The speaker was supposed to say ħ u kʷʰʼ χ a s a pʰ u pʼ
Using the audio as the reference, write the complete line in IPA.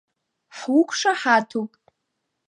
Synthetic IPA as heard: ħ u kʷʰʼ ʂ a ħ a tʰ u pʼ